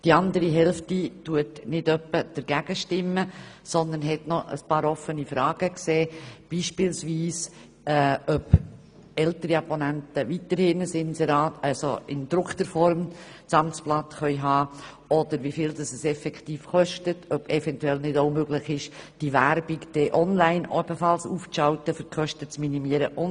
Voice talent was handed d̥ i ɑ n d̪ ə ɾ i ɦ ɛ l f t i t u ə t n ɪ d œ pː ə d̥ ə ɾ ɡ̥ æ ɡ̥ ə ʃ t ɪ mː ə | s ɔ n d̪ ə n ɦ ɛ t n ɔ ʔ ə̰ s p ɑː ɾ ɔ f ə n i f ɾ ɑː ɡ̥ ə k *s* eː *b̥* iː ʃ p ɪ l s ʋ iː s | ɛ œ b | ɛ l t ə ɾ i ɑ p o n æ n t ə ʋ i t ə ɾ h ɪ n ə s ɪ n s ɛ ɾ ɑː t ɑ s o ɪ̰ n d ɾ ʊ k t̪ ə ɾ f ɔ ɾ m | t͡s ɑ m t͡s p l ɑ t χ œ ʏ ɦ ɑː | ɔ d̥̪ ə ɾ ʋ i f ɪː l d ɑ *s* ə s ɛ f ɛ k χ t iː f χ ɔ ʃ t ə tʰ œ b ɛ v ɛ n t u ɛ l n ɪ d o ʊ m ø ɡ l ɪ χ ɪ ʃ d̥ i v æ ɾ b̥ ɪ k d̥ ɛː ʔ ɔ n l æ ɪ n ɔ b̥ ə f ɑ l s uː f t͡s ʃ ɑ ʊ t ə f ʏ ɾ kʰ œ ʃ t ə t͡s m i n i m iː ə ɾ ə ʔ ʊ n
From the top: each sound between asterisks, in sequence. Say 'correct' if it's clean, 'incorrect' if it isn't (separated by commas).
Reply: correct, correct, correct